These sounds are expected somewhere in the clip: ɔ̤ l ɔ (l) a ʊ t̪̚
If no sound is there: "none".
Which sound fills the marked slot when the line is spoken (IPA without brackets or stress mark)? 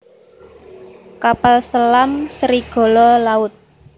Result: l